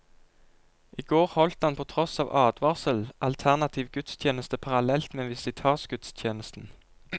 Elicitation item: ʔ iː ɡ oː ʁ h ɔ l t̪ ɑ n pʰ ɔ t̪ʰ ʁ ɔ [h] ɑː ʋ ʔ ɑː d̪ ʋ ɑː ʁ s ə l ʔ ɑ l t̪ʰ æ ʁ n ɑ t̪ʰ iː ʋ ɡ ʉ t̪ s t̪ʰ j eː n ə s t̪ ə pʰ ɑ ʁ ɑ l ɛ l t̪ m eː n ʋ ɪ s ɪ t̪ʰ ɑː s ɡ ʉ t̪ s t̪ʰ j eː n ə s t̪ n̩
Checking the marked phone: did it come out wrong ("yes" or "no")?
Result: yes